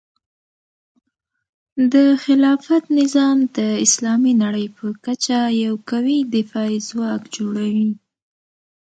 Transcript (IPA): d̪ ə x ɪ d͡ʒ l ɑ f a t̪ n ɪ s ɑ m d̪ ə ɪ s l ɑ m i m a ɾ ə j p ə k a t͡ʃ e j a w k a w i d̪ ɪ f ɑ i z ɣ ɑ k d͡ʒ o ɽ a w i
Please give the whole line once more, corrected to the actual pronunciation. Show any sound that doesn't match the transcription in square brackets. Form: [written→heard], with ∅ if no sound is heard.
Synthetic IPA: d̪ ə x ɪ [d͡ʒ→∅] l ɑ f a t̪ n ɪ [s→z] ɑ m d̪ ə ɪ s l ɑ m i [m→n] a [ɾ→ɽ] ə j p ə k a t͡ʃ [e→a] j a w k a w i d̪ ɪ f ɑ i z [ɣ→w] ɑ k d͡ʒ o ɽ a w i